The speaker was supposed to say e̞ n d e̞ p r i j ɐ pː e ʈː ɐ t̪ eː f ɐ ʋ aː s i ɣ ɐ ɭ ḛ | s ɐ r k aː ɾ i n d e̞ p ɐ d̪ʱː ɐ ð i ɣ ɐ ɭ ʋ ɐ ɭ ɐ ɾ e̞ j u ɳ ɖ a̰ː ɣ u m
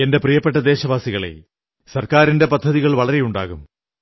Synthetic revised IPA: e̞ n d e̞ p r i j ɐ pː e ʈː ɐ d̪ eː ɕ ɐ ʋ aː s i ɣ ɐ ɭ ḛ | s ɐ r k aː ɾ i n d e̞ p ɐ d̪ʱː ɐ ð i ɣ ɐ ɭ ʋ ɐ ɭ ɐ ɾ e̞ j u ɳ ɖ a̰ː ɣ u m